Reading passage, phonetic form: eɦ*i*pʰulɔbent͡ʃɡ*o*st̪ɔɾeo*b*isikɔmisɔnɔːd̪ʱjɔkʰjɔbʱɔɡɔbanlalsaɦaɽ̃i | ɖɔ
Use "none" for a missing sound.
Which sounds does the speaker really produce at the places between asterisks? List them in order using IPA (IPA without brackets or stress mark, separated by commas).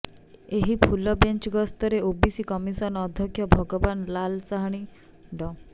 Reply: i, ɔ, b